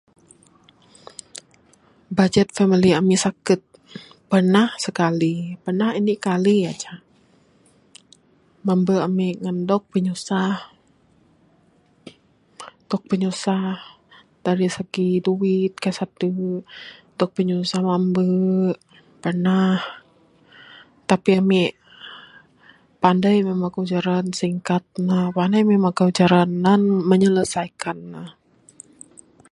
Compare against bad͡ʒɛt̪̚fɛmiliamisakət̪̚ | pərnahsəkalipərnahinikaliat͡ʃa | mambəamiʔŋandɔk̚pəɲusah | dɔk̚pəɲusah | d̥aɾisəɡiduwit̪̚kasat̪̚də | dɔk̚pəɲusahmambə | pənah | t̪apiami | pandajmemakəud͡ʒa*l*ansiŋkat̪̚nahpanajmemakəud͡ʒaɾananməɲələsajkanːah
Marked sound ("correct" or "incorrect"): incorrect